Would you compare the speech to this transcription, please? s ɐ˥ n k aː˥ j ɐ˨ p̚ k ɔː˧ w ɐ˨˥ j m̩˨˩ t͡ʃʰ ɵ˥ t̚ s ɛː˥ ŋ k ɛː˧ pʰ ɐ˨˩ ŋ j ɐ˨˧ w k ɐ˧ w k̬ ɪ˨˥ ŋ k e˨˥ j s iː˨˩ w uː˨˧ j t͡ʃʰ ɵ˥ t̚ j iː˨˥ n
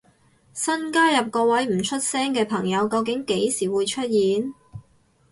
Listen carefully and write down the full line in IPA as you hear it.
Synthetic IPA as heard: s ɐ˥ n k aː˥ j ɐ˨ p̚ k ɔː˧ w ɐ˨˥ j m̩˨˩ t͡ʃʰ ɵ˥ t̚ s ɛː˥ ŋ k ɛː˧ pʰ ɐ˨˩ ŋ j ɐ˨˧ w k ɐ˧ w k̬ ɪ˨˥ ŋ k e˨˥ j s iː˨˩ w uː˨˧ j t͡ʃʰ ɵ˥ t̚ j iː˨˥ n